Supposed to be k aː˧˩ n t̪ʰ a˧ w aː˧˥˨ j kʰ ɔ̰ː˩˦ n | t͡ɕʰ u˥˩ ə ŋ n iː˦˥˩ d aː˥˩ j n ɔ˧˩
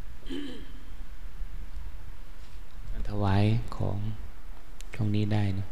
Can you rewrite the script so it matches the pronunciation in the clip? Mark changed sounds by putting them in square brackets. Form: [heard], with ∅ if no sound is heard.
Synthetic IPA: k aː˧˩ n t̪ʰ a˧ w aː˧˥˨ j kʰ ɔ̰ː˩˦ [ŋ] | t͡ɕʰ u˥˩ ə ŋ n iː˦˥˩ d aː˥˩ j n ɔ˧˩